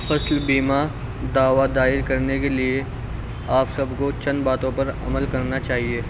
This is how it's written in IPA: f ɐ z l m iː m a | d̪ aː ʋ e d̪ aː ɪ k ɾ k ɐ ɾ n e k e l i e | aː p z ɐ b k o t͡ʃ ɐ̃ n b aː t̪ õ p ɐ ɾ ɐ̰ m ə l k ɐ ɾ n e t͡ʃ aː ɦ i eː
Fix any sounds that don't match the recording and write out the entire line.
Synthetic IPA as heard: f ɐ s l b iː m a | d̪ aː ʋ a d̪ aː ɪ ɾ k ɐ ɾ n e k e l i e | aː p s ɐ b k o t͡ʃ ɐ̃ n b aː t̪ õ p ɐ ɾ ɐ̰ m ə l k ɐ ɾ n a t͡ʃ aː ɦ i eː